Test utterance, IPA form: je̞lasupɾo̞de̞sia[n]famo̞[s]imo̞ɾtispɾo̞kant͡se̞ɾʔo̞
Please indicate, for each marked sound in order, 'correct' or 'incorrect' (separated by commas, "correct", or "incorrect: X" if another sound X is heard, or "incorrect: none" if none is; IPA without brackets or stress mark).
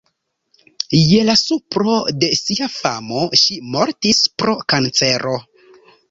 incorrect: none, incorrect: ʃ